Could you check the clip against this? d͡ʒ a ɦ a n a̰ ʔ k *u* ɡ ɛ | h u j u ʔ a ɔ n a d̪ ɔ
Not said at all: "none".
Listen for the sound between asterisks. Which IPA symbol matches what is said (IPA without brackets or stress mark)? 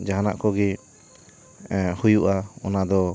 ɔ